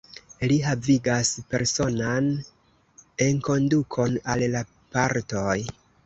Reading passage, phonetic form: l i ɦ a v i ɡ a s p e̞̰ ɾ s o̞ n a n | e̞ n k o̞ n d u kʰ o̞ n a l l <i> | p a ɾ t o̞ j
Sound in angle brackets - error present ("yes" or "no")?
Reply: yes